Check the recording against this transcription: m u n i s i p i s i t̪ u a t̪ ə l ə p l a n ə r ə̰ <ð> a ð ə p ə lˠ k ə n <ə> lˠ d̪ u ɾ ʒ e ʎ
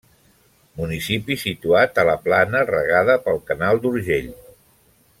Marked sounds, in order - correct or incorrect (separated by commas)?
incorrect, incorrect